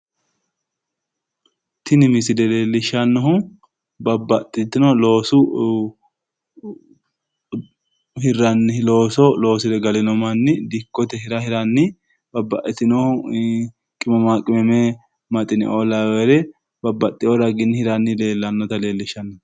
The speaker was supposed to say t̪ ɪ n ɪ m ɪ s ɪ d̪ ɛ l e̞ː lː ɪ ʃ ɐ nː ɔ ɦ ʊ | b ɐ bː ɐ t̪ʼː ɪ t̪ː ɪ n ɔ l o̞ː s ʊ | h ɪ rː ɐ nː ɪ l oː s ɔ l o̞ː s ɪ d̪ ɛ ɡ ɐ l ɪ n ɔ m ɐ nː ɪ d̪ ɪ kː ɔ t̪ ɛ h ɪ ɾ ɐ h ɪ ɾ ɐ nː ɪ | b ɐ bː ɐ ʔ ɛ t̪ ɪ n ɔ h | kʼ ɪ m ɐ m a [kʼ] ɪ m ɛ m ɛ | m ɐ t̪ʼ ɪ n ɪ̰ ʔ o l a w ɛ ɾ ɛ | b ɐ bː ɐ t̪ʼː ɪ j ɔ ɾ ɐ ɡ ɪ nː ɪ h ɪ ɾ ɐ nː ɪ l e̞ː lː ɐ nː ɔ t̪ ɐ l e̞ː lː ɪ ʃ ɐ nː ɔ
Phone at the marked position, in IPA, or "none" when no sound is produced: kʼ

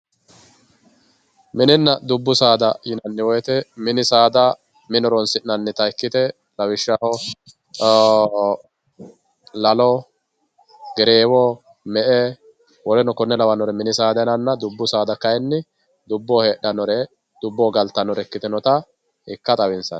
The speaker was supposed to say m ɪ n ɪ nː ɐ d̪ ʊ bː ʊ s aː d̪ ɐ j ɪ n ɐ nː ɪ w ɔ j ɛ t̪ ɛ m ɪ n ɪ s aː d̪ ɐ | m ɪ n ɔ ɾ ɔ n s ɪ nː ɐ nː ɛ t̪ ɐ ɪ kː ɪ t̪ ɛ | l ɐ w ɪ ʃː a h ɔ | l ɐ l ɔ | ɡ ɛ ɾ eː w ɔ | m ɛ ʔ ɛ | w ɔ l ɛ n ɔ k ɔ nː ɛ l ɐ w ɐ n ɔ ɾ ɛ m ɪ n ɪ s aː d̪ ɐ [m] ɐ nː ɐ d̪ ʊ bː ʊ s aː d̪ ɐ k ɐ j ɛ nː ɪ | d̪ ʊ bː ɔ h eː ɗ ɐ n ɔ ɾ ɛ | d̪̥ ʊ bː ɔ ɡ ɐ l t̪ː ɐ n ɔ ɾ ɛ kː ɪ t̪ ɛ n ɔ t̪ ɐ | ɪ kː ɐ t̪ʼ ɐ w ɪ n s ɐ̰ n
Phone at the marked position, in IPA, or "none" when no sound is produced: n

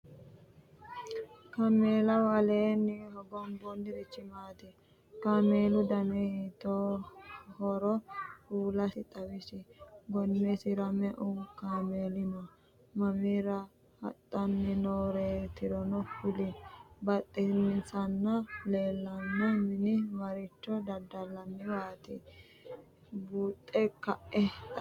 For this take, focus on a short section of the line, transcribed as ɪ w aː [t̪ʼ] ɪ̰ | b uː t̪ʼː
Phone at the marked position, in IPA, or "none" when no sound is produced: t̪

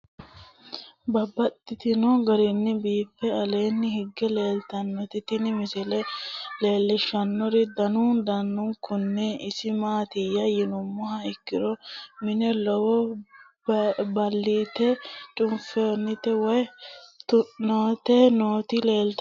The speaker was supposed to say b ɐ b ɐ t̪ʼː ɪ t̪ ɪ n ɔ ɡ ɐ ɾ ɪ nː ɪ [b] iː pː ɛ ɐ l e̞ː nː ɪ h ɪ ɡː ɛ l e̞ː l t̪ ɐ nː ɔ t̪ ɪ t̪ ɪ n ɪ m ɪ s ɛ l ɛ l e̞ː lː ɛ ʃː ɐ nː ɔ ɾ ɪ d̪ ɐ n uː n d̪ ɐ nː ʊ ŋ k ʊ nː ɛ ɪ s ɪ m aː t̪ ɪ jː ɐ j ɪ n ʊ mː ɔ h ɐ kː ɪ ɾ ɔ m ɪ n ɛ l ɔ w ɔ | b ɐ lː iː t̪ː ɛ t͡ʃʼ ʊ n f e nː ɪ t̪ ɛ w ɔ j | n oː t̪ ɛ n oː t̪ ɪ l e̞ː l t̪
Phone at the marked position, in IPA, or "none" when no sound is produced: b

